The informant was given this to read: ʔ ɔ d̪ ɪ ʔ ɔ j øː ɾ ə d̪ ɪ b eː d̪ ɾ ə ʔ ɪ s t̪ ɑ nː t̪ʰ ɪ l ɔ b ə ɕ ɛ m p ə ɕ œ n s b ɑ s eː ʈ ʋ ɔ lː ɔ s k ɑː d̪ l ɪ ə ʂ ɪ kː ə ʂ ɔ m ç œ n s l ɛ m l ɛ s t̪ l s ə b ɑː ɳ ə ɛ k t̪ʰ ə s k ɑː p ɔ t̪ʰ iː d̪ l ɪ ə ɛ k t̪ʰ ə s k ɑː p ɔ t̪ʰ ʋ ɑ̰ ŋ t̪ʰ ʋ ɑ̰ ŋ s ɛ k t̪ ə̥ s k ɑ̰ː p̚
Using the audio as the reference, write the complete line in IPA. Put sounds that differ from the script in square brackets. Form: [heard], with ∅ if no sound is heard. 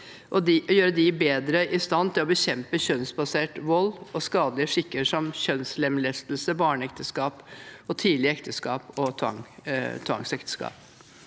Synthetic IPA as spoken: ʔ ɔ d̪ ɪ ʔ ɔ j øː ɾ ə d̪ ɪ b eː d̪ ɾ ə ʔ ɪ s t̪ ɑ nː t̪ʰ ɪ l ɔ b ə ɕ ɛ m p ə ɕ œ n s b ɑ s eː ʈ ʋ ɔ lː ɔ s k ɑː d̪ l ɪ ə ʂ ɪ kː ə ʂ ɔ m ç œ n s l ɛ m l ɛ s t̪ l s ə b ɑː ɳ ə ɛ k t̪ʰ ə s k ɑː p ɔ t̪ʰ iː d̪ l ɪ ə ɛ k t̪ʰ ə s k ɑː p ɔ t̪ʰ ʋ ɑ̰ ŋ t̪ʰ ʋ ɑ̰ ŋ s ɛ k t̪ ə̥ s k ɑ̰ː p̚